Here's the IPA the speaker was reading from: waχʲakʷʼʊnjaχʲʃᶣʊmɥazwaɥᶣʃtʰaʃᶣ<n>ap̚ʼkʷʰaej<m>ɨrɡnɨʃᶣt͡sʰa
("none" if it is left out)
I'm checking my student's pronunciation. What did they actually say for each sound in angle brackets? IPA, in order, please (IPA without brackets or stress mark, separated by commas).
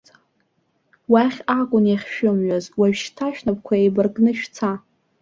n, b